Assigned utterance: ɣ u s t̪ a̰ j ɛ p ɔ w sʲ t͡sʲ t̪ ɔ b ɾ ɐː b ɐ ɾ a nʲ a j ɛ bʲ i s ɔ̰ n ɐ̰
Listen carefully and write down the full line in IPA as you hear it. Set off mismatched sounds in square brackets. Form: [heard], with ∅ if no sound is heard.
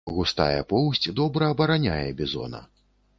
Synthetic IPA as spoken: ɣ u s t̪ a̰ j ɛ p ɔ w sʲ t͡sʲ [d̪] ɔ b ɾ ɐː b ɐ ɾ a nʲ a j ɛ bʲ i [z] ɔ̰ n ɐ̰

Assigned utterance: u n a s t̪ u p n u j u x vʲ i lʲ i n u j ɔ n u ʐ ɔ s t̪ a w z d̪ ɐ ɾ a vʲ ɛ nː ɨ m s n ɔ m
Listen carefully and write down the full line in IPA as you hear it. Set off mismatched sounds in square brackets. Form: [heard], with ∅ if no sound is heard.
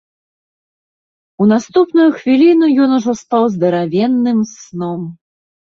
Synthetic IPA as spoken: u n a s t̪ u p n u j u x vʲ i lʲ i n u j ɔ n u ʐ ɔ s t̪ a w z d̪ ɐ ɾ a vʲ ɛ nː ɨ m s n ɔ m

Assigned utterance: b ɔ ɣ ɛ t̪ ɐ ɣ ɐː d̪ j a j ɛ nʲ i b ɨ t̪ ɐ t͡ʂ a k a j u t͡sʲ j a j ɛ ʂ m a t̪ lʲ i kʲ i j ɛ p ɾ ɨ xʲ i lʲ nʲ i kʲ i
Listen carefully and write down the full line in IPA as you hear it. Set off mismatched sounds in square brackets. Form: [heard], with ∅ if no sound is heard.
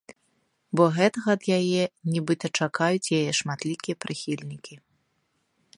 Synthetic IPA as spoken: b ɔ ɣ ɛ t̪ ɐ ɣ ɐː d̪ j a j ɛ nʲ i b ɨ t̪ ɐ t͡ʂ a k a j u t͡sʲ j a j ɛ ʂ m a t̪ lʲ i kʲ i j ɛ p ɾ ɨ xʲ i lʲ nʲ i kʲ i

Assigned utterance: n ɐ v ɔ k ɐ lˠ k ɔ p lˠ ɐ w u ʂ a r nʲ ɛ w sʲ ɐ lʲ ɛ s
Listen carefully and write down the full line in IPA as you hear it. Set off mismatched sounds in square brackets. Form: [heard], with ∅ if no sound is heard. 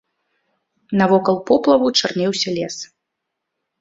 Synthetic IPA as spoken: n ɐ v ɔ k ɐ lˠ [p] ɔ p lˠ ɐ [v] u [t͡ʂ] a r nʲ ɛ w sʲ ɐ lʲ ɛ s

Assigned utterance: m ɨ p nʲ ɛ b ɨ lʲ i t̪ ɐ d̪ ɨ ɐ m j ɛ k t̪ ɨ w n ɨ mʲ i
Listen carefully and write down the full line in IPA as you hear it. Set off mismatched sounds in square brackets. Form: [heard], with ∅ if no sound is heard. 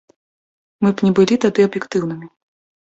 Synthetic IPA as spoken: m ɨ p nʲ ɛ b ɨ lʲ i t̪ [a] d̪ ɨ ɐ [b] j ɛ k t̪ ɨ w n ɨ mʲ i

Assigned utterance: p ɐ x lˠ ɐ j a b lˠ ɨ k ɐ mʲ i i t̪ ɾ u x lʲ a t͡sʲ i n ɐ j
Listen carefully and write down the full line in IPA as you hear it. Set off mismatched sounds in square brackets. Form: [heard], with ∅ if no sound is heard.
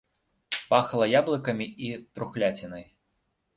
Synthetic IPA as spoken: p [a] x lˠ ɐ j a b lˠ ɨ k ɐ mʲ i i t̪ ɾ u x lʲ a t͡sʲ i n ɐ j

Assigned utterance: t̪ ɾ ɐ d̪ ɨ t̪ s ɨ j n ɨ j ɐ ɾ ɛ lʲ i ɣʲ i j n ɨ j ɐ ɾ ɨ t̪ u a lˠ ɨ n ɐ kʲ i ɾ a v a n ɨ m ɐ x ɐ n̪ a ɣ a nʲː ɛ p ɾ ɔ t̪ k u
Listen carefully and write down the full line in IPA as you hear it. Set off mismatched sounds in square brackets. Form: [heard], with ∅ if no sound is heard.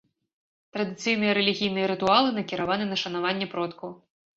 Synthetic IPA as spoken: t̪ ɾ ɐ d̪ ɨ t̪ s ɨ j n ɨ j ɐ ɾ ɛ lʲ i ɣʲ i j n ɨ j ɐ ɾ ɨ t̪ u a lˠ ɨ n ɐ kʲ i ɾ a v a n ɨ [n] ɐ [ʂ] ɐ n̪ a [v] a nʲː ɛ p ɾ ɔ t̪ k u

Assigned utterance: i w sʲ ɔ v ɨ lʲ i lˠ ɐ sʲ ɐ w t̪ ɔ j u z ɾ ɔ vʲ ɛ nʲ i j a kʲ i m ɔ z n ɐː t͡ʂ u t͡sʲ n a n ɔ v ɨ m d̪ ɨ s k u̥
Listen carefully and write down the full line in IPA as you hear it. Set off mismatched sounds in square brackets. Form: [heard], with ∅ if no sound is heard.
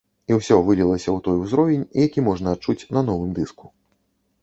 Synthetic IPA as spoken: i w sʲ ɔ v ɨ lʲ i lˠ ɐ sʲ ɐ w t̪ ɔ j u z ɾ ɔ vʲ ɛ nʲ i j a kʲ i m ɔ [ʐ] n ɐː t͡ʂ u t͡sʲ n [ɐ] n ɔ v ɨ m d̪ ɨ s k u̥

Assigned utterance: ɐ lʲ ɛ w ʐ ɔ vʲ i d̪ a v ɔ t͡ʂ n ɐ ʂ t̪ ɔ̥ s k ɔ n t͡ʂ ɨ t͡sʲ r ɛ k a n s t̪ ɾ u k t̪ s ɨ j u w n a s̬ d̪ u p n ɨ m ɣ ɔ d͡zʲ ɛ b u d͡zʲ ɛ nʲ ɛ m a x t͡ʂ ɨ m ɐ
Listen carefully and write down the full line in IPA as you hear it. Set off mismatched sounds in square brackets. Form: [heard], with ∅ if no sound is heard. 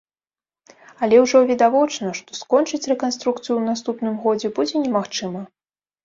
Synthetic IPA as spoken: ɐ lʲ ɛ w ʐ ɔ vʲ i d̪ a v ɔ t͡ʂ n ɐ ʂ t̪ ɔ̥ s k ɔ n t͡ʂ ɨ t͡sʲ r ɛ k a n s t̪ ɾ u k t̪ s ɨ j u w n a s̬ [t̪] u p n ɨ m ɣ ɔ d͡zʲ ɛ b u d͡zʲ ɛ nʲ ɛ m a x t͡ʂ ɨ m ɐ

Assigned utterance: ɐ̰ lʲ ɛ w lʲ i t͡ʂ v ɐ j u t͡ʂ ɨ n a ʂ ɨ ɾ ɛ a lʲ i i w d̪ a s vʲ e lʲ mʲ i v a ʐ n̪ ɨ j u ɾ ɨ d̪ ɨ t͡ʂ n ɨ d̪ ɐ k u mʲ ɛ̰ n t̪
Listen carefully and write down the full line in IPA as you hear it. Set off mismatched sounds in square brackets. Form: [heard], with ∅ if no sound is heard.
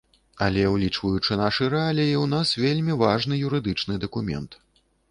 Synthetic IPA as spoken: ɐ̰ lʲ ɛ w lʲ i t͡ʂ v ɐ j u t͡ʂ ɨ n a ʂ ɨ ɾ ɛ a lʲ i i w [n̪] a s vʲ e lʲ mʲ i v a ʐ n̪ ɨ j u ɾ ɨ d̪ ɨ t͡ʂ n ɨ d̪ ɐ k u mʲ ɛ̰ n t̪

